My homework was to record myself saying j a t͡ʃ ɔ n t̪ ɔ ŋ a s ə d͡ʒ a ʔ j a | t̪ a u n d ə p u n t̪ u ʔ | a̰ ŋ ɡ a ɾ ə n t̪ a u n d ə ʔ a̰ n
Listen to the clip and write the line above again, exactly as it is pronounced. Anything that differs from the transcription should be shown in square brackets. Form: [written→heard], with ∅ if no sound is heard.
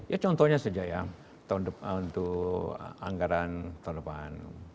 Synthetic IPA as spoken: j a t͡ʃ ɔ n t̪ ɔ [ŋ→ɲ] a s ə d͡ʒ a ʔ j a | t̪ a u n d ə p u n t̪ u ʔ | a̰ ŋ ɡ a ɾ [ə→a] n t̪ a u n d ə [ʔ→p] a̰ n

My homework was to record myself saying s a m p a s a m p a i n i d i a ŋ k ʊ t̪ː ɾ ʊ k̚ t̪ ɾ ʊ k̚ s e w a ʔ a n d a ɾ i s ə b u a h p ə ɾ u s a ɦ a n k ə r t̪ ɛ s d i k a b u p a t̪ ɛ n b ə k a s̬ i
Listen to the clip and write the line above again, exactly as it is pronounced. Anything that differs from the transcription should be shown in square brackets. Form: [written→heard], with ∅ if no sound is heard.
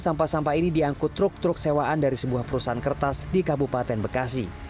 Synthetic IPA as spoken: s a m p a s a m p a i n i d i a ŋ k ʊ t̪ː ɾ ʊ k̚ t̪ ɾ ʊ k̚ s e w a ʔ a n d a ɾ i s ə b u a h p ə ɾ u s a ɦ a n k ə r t̪ [ɛ→a] s d i k a b u p a t̪ ɛ n b ə k a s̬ i

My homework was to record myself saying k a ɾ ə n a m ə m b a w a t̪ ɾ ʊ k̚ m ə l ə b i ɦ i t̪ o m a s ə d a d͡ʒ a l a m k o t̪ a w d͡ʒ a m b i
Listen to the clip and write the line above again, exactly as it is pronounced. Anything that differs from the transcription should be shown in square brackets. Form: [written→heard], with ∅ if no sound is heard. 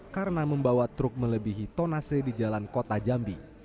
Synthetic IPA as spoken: k a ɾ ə n a m ə m b a w a t̪ ɾ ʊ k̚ m ə l ə b i ɦ i t̪ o [m→n] a s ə d [a→i] d͡ʒ a l a [m→n] k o t̪ a [w→∅] d͡ʒ a m b i

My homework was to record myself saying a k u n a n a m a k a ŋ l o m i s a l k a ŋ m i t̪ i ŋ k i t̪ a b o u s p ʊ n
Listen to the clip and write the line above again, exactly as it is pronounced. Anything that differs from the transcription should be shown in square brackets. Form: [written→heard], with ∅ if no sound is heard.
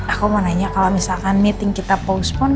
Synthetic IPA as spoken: a k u [n→m] a n a [m→ɲ] a k a [ŋ→∅] l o m i s a l k a [ŋ→n] m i t̪ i ŋ k i t̪ a [b→p] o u s p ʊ n

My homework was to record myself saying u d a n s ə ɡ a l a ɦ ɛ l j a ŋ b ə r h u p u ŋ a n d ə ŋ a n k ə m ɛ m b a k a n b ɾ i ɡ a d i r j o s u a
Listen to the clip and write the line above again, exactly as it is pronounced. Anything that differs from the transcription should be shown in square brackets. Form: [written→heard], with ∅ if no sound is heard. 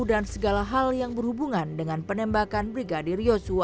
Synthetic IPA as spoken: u d a n s ə ɡ a l a ɦ [ɛ→a] l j a ŋ b ə r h u [p→b] u ŋ a n d ə ŋ a n [k→p] ə [m→n] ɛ m b a k a n b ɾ i ɡ a d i r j o s u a

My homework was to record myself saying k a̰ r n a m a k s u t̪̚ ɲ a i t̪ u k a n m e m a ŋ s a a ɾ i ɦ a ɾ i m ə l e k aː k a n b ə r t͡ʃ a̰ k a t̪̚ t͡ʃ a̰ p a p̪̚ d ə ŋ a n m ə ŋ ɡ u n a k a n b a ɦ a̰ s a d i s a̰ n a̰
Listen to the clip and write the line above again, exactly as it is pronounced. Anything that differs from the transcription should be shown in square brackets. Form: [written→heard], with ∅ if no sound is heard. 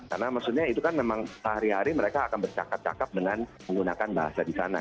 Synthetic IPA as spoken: k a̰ r n a m a k s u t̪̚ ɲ a i t̪ u k a n m e m a ŋ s a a ɾ i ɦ a ɾ i m ə [l→ɾ] e k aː k a n b ə r t͡ʃ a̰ k a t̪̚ t͡ʃ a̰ [p→k] a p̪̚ d ə ŋ a n m ə ŋ ɡ u n a k a n b a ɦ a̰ s a d i s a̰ n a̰

